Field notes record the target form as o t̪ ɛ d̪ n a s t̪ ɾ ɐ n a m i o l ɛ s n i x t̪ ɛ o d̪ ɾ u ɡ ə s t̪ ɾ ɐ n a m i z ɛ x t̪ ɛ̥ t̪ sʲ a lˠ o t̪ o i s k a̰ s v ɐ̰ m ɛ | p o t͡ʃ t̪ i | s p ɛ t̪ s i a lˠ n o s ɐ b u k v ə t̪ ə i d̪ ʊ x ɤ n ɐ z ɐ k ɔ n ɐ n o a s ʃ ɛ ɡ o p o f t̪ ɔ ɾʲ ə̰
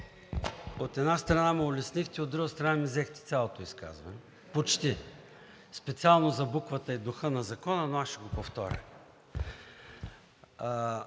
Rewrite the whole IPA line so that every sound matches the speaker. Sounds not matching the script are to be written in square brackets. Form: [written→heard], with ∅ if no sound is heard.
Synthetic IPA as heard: o t̪ ɛ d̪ n a s t̪ ɾ ɐ n a m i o l ɛ s n i x t̪ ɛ o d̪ ɾ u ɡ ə s t̪ ɾ ɐ n a m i z ɛ x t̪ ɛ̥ t̪ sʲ a lˠ o t̪ o i s k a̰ [s→z] v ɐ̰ [m→n] ɛ | p o t͡ʃ t̪ i | s p ɛ t̪ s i a lˠ n o [s→z] ɐ b u k v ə t̪ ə i d̪ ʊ x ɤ n ɐ z ɐ k ɔ n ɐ n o a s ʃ ɛ ɡ o p o f t̪ ɔ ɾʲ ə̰

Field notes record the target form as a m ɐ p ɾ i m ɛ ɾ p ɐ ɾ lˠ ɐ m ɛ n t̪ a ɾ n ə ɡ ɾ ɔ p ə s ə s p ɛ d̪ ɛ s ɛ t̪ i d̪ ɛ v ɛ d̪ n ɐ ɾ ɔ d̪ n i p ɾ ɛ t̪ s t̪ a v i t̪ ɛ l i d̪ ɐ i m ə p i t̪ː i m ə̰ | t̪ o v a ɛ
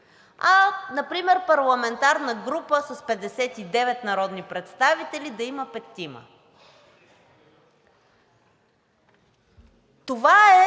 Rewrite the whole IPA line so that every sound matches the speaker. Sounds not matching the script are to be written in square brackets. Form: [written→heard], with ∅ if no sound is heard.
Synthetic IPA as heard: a [m→n] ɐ p ɾ i m ɛ ɾ p ɐ ɾ lˠ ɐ m ɛ n t̪ a ɾ n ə ɡ ɾ [ɔ→u] p ə s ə s p ɛ d̪ ɛ s ɛ t̪ i d̪ ɛ v ɛ [d̪→t̪] n ɐ ɾ ɔ d̪ n i p ɾ ɛ t̪ s t̪ a v i t̪ ɛ l i d̪ ɐ i m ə p [i→ɛ] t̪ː i m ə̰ | t̪ o v a ɛ

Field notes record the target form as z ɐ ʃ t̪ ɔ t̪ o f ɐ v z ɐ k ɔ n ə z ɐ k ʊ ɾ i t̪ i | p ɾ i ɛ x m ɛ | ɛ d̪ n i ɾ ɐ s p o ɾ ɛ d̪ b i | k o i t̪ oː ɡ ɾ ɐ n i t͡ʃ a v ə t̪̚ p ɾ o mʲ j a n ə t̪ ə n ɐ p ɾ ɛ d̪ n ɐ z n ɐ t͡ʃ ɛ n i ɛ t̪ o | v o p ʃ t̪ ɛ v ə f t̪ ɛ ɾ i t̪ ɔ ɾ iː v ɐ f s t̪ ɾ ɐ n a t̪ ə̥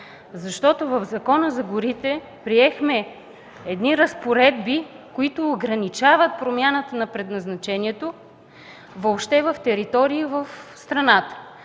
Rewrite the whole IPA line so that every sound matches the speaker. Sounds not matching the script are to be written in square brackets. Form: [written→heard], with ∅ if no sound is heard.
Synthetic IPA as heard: z ɐ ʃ t̪ ɔ t̪ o [f→v] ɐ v z ɐ k ɔ n ə z ɐ [k→ɡ] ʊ ɾ i t̪ [i→ɛ] | p ɾ i ɛ x m ɛ | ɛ d̪ n i ɾ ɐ s p o ɾ ɛ d̪ b i | k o i t̪ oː ɡ ɾ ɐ n i t͡ʃ a v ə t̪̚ p ɾ o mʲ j a n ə t̪ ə n ɐ p ɾ ɛ d̪ n ɐ z n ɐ t͡ʃ ɛ n i ɛ t̪ o | v o p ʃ t̪ ɛ v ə f t̪ ɛ ɾ i t̪ ɔ ɾ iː v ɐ f s t̪ ɾ ɐ n a t̪ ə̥

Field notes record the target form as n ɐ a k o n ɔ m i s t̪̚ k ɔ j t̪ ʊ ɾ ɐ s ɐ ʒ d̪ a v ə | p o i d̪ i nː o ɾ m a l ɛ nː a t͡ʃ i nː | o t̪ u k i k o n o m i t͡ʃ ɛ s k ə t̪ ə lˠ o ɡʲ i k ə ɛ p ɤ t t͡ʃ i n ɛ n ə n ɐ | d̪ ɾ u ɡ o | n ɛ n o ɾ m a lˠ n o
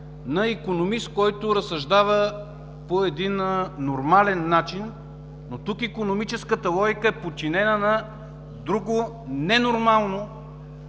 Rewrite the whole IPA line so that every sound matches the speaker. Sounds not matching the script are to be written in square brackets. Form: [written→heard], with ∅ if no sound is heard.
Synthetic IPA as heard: n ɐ [a→i] k o n [ɔ→o] m i s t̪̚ k ɔ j t̪ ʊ ɾ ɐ s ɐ ʒ d̪ a v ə | p o [i→ɛ] d̪ i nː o ɾ m a l ɛ nː a t͡ʃ i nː | o t̪ u k i k o n o m i t͡ʃ ɛ s k ə t̪ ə lˠ [o→ɔ] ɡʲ i k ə ɛ p [ɤ→o] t t͡ʃ i n ɛ n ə n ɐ | d̪ ɾ u ɡ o | n ɛ n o ɾ m a lˠ n o

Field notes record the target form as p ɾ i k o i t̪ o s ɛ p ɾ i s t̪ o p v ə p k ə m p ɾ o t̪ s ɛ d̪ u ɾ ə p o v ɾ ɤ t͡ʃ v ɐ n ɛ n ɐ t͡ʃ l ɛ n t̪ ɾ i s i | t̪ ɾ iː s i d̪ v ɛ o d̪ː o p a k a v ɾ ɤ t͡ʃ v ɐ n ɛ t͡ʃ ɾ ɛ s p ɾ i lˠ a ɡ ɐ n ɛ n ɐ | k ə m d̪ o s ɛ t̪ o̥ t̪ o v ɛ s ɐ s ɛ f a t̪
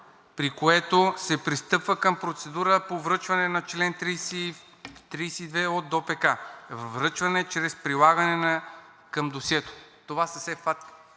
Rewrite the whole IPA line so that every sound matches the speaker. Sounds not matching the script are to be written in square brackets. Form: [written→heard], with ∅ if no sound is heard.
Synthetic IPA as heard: p ɾ i k o [i→ɛ] t̪ o s ɛ p ɾ i s t̪ [o→ɤ] p v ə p k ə m p ɾ o t̪ s ɛ d̪ u ɾ ə p o v ɾ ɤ t͡ʃ v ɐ n ɛ n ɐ t͡ʃ l ɛ n t̪ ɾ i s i | t̪ ɾ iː s i d̪ v ɛ o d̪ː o p [a→ɛ] k a v ɾ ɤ t͡ʃ v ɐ n ɛ t͡ʃ ɾ ɛ s p ɾ i lˠ a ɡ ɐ n ɛ n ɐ | k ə m d̪ o s ɛ t̪ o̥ t̪ o v [ɛ→a] s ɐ s ɛ f a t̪

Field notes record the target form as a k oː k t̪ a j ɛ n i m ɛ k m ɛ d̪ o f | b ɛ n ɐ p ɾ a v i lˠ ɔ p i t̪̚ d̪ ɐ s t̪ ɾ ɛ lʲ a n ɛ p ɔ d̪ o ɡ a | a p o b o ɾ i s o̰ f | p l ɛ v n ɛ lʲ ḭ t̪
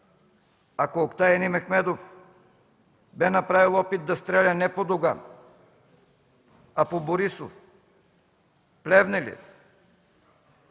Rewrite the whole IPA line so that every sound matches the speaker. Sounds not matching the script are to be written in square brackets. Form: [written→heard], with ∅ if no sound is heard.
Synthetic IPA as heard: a k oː k t̪ a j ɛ n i m ɛ [k→x] m ɛ d̪ o f | b ɛ n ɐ p ɾ a v i lˠ ɔ p i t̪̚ d̪ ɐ s t̪ ɾ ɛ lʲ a n ɛ p [ɔ→o] d̪ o ɡ a | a p o b o ɾ i s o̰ f | p l ɛ v n ɛ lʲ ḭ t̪

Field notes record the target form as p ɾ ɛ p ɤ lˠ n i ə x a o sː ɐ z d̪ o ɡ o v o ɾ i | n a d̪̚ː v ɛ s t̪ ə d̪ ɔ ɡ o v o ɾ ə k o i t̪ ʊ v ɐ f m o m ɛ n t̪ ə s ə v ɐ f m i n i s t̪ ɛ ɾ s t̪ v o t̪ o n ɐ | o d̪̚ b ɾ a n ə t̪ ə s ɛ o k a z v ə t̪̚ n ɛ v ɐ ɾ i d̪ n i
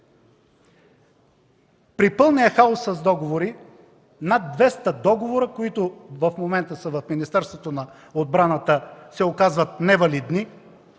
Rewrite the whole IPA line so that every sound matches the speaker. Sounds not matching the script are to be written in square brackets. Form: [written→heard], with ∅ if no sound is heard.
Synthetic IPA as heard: p ɾ [ɛ→i] p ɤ lˠ n i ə x a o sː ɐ z d̪ [o→ɔ] ɡ o v o ɾ i | n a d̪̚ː v ɛ s t̪ ə d̪ ɔ ɡ o v o ɾ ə k o i t̪ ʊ v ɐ f m o m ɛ n t̪ ə s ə v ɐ f m i n i s t̪ ɛ ɾ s t̪ v o t̪ o n ɐ | o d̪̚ b ɾ a n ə t̪ ə s ɛ o k a z v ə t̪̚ n ɛ v ɐ [ɾ→l] i d̪ n i

